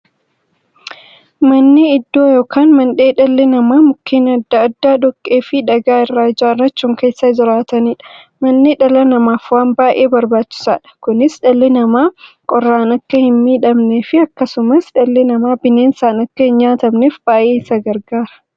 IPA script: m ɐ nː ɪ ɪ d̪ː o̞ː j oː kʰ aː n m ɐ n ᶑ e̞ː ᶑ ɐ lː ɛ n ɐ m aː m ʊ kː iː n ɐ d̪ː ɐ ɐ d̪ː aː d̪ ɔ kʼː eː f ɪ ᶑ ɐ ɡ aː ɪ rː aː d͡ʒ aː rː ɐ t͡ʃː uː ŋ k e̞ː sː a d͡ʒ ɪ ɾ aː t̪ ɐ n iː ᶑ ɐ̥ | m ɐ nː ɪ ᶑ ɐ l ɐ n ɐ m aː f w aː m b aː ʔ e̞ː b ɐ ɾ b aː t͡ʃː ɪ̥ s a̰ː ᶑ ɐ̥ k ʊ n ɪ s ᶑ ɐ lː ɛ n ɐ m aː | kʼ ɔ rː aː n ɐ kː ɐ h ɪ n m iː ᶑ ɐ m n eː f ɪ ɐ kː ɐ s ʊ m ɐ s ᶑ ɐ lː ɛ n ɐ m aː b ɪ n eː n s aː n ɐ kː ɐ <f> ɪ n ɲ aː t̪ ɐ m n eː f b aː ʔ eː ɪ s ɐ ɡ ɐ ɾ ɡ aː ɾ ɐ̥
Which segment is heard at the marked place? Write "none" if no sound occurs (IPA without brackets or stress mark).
h